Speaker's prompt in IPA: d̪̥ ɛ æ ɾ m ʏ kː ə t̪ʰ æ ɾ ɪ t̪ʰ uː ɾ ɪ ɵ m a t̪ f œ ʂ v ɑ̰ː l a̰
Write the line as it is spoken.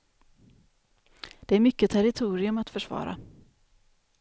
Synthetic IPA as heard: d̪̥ ɛ æ ɾ m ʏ kː ə t̪ʰ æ ɾ ɪ t̪ʰ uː ɾ ɪ ɵ m a t̪ f œ ʂ v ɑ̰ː ɾ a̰

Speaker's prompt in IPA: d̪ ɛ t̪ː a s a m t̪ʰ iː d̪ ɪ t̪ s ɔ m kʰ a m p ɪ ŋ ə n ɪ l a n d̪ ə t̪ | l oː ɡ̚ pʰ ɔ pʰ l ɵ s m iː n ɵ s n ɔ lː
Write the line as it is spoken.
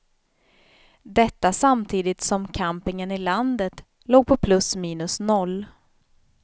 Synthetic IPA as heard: d̪ ɛ t̪ː a s a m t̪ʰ iː d̪ ɪ t̪ s ɔ m kʰ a m p ɪ ŋ ə n ɪ l a n d̪ ə t̪ | l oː ɡ̚ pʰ ɔ pʰ l ɵ s m iː n ɵ s n ɔ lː

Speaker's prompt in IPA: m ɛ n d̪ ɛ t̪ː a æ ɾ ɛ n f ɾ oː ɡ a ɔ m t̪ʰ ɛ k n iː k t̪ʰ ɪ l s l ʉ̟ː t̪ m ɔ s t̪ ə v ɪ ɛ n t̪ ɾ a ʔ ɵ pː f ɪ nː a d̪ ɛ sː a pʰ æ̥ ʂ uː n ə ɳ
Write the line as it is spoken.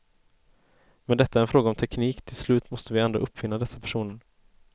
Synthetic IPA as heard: m ɛ n d̪ ɛ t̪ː a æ ɾ ɛ n f ɾ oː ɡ a ɔ m t̪ʰ ɛ k n iː k t̪ʰ ɪ l s l ʉ̟ː t̪ m ɔ s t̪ ə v ɪ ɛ n d̪ ɾ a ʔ ɵ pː f ɪ nː a d̪ ɛ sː a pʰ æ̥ ʂ uː n ə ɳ

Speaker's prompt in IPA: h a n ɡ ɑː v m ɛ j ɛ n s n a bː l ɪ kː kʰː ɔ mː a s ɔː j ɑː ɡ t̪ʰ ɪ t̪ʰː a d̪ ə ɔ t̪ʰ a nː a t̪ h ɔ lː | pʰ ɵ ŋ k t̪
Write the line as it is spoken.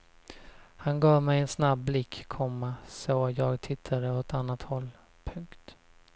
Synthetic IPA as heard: h a n ɡ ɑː v m ɛ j ɛ n s n a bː l ɪ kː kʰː ɔ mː a s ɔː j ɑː ɡ t̪ʰ ɪ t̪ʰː a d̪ ə ɔ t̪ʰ a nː a t̪ h ɔ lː | pʰ ɵ ŋ k t̪

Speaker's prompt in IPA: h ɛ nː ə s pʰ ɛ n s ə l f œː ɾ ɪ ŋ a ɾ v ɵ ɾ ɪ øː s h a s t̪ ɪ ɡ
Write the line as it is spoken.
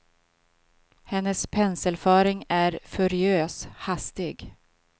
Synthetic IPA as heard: h ɛ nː ə s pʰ ɛ n s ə l f œː ɾ ɪ ŋ æ ɾ f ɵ ɾ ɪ øː s h a s t̪ ɪ ɡ

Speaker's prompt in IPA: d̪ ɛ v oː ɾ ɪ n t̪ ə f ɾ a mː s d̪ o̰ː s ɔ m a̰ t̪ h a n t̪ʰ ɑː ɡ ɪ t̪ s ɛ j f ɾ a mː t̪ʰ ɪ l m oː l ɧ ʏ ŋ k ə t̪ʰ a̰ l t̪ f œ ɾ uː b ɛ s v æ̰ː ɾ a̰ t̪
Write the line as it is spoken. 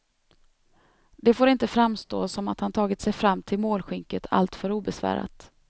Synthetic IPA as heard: d̪ ɛ f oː ɾ ɪ n t̪ ə f ɾ a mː s t̪ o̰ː s ɔ m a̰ t̪ h a n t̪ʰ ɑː ɡ ɪ t̪ s ɛ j f ɾ a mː t̪ʰ ɪ l m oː l ɧ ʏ ŋ k ə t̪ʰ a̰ l t̪ f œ ɾ uː b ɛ s v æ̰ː ɾ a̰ t̪

